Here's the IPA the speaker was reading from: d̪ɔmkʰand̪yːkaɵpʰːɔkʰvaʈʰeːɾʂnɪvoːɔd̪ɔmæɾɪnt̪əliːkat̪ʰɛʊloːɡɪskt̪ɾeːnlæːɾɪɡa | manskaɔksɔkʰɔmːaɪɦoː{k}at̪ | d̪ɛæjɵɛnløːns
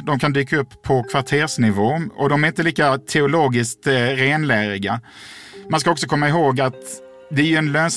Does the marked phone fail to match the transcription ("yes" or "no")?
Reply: yes